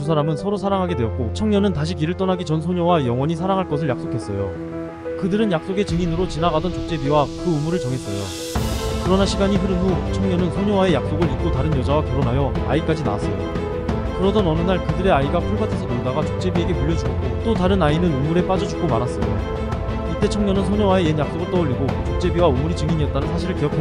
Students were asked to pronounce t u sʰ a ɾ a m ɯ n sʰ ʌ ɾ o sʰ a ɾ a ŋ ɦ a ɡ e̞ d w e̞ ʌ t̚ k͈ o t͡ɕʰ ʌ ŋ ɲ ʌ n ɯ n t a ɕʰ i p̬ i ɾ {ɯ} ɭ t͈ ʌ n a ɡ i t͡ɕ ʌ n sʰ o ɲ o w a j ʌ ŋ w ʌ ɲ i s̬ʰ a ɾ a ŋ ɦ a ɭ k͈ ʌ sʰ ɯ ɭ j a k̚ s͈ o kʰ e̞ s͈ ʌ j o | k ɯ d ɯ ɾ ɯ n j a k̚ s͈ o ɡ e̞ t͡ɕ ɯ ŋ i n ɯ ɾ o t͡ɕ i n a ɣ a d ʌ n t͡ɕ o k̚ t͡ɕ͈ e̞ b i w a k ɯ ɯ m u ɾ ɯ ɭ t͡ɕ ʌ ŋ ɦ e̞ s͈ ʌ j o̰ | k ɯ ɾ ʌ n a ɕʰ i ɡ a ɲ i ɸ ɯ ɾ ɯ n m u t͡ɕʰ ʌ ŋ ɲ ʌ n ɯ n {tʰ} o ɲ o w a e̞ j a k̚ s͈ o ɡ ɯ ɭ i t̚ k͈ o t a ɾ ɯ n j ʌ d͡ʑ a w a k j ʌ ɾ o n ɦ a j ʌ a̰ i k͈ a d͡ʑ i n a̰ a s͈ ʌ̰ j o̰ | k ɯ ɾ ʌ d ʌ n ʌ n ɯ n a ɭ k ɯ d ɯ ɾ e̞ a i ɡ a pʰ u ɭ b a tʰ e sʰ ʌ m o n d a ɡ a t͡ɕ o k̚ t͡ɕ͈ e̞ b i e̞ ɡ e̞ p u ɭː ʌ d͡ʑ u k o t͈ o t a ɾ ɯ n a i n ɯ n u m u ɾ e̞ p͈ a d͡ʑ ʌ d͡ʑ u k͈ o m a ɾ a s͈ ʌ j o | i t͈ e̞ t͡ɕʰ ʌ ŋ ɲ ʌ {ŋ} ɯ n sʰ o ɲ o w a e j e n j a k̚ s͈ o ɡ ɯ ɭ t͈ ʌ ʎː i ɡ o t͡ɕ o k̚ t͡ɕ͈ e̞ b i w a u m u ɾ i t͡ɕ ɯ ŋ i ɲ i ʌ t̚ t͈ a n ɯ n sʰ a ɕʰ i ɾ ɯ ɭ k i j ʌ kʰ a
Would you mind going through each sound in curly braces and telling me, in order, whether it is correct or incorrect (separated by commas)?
correct, incorrect, incorrect